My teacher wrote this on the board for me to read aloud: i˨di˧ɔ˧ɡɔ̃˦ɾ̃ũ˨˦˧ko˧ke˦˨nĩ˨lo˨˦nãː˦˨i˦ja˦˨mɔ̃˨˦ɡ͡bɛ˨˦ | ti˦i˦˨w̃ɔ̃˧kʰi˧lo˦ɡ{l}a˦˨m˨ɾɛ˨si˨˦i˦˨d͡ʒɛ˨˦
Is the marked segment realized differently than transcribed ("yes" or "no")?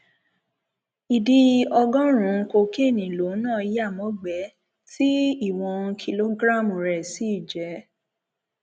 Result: yes